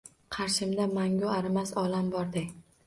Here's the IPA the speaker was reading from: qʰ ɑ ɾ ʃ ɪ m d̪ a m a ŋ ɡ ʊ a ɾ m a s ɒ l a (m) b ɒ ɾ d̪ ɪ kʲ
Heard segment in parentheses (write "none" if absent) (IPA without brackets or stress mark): m